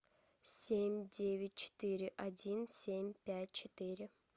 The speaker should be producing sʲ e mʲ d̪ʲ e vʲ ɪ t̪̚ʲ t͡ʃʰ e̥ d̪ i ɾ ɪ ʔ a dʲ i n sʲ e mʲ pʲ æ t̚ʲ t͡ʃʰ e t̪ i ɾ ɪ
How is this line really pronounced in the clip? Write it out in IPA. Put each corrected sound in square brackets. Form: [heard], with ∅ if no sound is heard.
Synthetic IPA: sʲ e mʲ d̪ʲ e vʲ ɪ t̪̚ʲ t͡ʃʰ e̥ [t̪] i ɾ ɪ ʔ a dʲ i n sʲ e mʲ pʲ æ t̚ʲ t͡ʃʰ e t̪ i ɾ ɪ

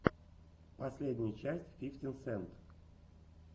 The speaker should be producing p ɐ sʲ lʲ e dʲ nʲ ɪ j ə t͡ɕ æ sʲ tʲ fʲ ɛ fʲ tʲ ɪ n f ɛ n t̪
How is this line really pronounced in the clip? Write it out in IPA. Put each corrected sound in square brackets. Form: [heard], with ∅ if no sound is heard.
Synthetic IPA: p ɐ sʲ lʲ e dʲ nʲ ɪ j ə t͡ɕ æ sʲ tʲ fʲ [i] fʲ tʲ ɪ n [s] ɛ n t̪

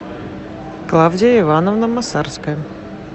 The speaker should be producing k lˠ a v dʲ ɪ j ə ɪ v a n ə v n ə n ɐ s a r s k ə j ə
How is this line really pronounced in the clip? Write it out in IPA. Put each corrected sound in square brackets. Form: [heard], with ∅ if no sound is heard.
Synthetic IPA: k lˠ a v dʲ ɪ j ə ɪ v a n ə v n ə [m] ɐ s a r s k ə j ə

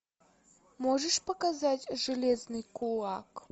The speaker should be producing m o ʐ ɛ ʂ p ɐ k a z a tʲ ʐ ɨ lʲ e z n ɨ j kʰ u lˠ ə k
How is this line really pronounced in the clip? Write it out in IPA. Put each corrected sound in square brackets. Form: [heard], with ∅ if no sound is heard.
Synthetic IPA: m o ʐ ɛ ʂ p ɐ k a z a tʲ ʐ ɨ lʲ e z n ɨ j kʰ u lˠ [a] k

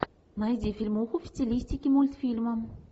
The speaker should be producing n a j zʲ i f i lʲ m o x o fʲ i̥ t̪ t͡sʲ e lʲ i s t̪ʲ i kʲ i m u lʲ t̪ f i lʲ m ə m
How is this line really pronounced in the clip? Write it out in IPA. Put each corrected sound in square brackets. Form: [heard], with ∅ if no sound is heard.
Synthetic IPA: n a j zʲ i f i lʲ m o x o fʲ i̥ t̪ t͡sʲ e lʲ i s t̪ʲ i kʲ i m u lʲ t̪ f i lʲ m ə m

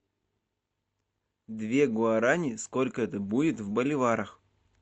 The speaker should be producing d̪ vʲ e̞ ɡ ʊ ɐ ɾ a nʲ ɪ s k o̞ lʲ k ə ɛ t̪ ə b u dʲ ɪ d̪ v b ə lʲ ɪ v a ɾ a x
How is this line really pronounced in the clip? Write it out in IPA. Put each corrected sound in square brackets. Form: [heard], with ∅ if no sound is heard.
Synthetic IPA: d̪ vʲ e̞ ɡ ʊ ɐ ɾ a nʲ ɪ s k o̞ lʲ k ə ɛ t̪ ə b u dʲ ɪ [t̪] v b ə lʲ ɪ v a ɾ [ə] x

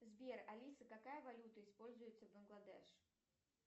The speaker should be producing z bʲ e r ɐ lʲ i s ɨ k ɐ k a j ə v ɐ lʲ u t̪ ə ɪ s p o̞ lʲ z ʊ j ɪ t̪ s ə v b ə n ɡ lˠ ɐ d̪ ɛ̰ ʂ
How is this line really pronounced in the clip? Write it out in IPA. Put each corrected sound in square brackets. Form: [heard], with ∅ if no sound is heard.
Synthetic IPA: z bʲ e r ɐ lʲ i s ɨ k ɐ k a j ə v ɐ lʲ u t̪ ə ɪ s p o̞ lʲ z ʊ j ɪ t̪ s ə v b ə n ɡ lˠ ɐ d̪ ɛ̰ ʂ

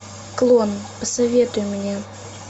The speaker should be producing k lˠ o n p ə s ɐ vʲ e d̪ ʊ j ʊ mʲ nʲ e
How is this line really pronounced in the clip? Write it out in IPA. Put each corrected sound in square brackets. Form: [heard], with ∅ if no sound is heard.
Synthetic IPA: k lˠ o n p ə s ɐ vʲ e [t̪] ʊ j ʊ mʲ nʲ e

